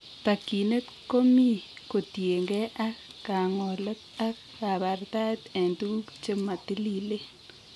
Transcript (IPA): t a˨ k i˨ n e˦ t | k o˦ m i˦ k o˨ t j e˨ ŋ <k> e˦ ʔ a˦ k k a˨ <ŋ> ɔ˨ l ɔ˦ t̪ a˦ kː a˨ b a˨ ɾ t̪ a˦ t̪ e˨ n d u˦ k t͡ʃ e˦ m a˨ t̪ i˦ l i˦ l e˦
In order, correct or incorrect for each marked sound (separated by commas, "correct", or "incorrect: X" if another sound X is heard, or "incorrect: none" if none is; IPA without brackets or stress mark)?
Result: incorrect: ɡ, correct